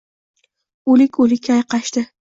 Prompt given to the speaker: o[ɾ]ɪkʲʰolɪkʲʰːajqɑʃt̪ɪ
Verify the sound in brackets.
incorrect: l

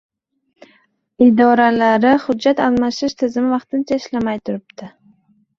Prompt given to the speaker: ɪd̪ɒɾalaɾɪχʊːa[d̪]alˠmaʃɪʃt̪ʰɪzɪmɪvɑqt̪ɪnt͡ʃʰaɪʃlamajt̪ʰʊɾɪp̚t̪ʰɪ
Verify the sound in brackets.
incorrect: t̪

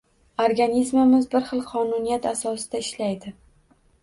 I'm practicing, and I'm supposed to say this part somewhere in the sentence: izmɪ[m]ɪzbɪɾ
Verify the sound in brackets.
correct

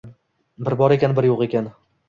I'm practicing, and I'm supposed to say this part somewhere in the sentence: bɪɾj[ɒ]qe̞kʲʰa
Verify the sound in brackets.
incorrect: o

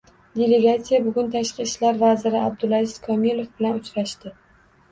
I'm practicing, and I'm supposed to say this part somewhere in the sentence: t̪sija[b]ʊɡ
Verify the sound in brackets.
correct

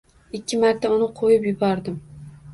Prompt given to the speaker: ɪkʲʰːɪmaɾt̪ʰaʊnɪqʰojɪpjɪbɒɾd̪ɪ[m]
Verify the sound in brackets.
correct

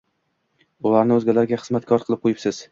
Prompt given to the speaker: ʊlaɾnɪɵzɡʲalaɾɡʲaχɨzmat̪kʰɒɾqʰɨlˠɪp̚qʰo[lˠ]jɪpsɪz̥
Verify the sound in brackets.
incorrect: none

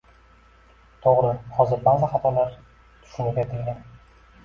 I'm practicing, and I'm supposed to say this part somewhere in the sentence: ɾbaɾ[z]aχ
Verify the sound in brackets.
correct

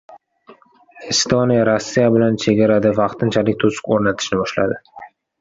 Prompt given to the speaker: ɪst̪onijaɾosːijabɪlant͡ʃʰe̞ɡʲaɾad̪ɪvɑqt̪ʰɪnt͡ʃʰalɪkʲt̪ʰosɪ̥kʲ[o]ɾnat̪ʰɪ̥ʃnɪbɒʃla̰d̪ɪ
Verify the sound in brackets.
correct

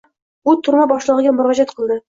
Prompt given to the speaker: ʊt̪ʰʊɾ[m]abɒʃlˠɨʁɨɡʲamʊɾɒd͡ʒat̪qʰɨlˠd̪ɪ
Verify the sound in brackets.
correct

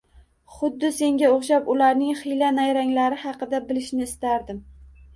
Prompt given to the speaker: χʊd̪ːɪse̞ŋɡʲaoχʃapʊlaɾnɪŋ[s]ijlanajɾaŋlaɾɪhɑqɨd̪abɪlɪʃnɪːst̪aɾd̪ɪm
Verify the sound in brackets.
incorrect: χ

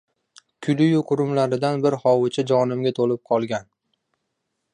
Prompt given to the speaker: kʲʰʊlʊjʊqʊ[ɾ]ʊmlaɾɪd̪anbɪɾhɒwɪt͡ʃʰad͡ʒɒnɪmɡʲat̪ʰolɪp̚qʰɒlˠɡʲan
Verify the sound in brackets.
correct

